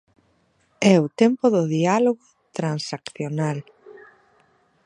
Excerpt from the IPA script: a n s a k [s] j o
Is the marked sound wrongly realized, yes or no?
yes